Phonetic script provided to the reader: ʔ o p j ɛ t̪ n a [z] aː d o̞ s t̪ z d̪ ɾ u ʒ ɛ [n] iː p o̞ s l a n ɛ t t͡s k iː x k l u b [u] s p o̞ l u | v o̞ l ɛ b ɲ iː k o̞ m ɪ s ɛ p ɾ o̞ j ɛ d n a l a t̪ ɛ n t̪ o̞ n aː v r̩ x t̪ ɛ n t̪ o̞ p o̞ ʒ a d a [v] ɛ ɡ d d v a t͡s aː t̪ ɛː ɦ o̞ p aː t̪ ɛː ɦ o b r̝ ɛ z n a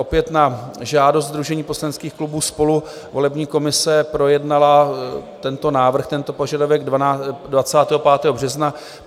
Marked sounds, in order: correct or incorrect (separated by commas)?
incorrect, incorrect, incorrect, correct